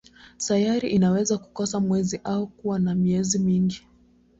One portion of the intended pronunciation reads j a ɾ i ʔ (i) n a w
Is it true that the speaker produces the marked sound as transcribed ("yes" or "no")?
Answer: yes